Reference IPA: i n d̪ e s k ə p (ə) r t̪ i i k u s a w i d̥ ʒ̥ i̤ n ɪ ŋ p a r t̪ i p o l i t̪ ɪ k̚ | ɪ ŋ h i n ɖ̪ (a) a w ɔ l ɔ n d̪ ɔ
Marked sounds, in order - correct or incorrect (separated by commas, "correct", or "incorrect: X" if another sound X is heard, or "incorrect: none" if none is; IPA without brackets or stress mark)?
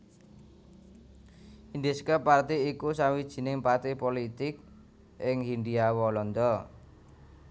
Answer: incorrect: a, incorrect: i